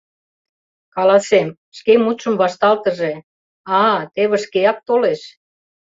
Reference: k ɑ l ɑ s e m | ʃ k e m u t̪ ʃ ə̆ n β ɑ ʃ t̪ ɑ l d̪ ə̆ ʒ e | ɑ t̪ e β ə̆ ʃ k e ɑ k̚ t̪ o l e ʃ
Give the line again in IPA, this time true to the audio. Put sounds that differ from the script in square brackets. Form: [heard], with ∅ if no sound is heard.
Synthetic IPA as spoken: k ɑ l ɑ s e m | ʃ k e m u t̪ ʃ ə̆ [m] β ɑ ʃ t̪ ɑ l [t̪] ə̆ ʒ e | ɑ t̪ e β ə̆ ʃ k e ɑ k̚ t̪ o l e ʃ